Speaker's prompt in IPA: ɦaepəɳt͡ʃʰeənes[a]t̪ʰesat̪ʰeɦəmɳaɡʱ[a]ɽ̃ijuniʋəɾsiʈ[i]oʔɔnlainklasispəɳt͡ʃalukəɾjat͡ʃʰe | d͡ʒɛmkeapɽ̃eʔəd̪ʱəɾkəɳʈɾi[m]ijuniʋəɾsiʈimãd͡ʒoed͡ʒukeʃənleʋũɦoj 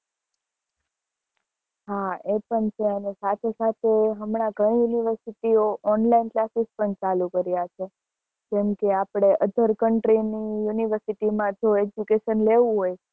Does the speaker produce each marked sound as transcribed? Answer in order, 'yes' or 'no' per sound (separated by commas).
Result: yes, no, yes, no